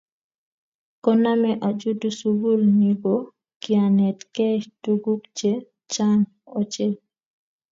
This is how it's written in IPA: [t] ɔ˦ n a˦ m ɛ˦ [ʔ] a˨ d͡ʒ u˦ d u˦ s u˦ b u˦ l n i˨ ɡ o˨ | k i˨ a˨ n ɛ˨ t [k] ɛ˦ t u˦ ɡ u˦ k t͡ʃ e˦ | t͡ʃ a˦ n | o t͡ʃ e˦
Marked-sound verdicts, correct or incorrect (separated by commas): incorrect, correct, correct